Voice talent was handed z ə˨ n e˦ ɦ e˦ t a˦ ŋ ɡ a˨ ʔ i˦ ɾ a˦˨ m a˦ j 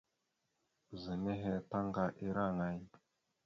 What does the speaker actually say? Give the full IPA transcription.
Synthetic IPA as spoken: z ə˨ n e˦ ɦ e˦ t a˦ ŋ ɡ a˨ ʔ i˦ ɾ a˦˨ ŋ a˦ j